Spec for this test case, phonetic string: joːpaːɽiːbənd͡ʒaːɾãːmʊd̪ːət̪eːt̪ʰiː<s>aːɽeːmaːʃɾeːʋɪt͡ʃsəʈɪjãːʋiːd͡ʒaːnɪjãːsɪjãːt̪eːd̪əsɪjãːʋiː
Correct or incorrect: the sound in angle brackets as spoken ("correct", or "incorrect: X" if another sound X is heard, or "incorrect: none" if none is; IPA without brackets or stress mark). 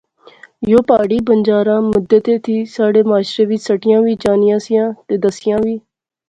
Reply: correct